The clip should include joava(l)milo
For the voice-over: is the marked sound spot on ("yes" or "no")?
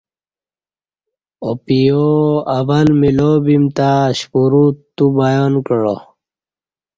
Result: yes